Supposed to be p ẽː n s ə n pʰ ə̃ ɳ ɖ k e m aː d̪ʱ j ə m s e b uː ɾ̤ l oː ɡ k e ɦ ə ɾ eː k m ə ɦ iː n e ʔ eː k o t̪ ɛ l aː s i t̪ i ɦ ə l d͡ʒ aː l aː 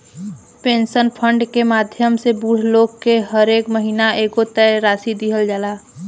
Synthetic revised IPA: p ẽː n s ə n pʰ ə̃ ɳ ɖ k e m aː d̪ʱ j ə m s e b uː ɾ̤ l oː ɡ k e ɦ ə ɾ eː k m ə ɦ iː n a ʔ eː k o t̪ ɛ ɾ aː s i d̪ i ɦ ə l d͡ʒ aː l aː